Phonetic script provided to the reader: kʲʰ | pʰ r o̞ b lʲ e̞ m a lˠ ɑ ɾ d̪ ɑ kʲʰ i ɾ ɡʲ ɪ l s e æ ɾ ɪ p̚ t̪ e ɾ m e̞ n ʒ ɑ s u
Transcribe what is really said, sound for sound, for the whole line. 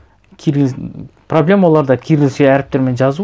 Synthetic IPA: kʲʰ | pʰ r o̞ b lʲ e̞ m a lˠ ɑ ɾ d̪ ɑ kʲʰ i ɾ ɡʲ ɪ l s e æ ɾ ɪ p̚ t̪ e ɾ m e̞ n ʒ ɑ z u

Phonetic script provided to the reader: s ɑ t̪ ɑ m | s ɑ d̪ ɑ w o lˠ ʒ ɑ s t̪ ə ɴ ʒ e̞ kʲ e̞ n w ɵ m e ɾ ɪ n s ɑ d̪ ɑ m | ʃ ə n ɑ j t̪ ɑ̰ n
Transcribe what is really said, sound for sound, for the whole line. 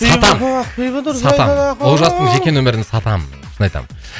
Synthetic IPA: s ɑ t̪ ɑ m | s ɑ t̪ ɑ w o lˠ ʒ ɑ s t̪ ə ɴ ʒ e̞ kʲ e̞ n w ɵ m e ɾ ɪ n s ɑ t̪ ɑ m | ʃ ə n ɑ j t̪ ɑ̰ m

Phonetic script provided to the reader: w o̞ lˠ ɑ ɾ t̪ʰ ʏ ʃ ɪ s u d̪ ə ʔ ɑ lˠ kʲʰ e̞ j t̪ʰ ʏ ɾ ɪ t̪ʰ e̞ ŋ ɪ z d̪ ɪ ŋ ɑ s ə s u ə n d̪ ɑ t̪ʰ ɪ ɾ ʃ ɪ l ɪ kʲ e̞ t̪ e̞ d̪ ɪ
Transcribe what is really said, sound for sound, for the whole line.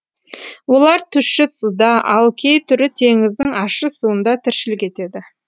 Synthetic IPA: w o̞ lˠ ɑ ɾ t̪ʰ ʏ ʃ ɪ s u d̪ ɑ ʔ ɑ lˠ kʲʰ e̞ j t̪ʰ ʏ ɾ ɪ t̪ʰ e̞ ŋ ɪ z d̪ ɪ ŋ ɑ ʃ ə s u ə n d̪ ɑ t̪ʰ ɪ ɾ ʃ ɪ l ɪ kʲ e̞ t̪ e̞ d̪ ɪ

